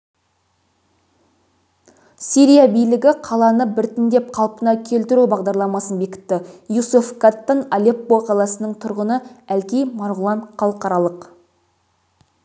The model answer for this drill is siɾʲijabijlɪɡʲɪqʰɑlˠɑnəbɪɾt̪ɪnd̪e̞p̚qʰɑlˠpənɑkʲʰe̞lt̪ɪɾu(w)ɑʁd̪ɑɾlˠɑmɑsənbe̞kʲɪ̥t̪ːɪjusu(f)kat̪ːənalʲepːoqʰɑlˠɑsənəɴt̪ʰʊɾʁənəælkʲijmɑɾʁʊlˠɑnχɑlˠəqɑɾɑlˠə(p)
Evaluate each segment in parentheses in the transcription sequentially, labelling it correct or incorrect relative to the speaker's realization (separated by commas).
incorrect, correct, incorrect